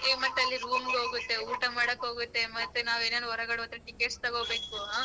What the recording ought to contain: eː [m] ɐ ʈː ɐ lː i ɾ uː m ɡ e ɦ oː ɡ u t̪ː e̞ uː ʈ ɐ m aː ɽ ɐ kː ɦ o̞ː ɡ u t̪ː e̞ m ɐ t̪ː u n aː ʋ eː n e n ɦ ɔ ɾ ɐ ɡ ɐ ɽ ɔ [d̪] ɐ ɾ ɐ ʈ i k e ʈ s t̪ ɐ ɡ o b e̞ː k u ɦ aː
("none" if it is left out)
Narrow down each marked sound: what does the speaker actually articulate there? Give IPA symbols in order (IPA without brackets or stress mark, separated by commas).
m, t̪